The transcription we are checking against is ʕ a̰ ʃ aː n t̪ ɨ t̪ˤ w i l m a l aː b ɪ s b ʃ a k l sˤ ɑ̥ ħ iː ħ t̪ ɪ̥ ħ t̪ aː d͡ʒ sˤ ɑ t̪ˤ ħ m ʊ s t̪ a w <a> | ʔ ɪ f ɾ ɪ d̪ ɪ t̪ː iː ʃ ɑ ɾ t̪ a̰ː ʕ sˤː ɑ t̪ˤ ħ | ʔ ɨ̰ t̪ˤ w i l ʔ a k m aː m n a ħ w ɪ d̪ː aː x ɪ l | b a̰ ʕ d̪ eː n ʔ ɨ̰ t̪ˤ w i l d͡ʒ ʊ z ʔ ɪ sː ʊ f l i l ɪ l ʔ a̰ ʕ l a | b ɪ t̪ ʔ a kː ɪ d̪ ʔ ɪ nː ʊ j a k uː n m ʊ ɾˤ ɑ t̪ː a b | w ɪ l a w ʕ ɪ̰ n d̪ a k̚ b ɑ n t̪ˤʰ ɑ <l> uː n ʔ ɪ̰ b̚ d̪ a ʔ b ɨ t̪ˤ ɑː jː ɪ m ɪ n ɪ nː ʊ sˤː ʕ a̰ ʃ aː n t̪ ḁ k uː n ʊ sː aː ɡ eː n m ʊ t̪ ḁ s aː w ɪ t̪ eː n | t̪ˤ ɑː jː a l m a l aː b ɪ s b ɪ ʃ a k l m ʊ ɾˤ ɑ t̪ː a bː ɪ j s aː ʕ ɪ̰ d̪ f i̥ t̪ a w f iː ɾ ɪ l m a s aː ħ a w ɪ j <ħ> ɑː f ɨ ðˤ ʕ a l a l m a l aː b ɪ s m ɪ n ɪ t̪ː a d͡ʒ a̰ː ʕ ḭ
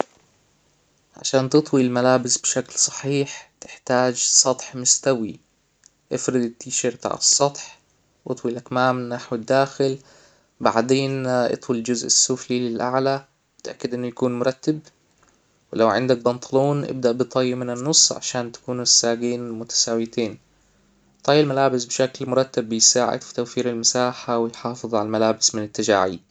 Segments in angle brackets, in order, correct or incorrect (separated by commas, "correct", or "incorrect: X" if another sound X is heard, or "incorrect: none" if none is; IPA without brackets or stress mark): incorrect: i, correct, correct